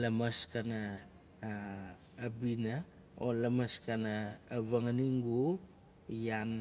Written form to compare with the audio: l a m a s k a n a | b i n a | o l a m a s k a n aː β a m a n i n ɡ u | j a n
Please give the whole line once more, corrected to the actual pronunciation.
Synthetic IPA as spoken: l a m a s k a n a | b i n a | o l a m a s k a n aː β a ŋ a n i ŋ ɡ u | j a n

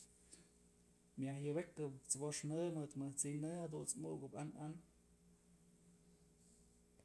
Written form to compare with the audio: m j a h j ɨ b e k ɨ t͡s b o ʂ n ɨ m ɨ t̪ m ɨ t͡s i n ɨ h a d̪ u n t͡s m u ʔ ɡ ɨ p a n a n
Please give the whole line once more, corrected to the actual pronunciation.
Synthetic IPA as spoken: m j a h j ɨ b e k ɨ t͡s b o ʂ n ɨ m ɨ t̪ m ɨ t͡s i n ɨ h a d̪ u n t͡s m u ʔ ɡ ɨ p a n a n

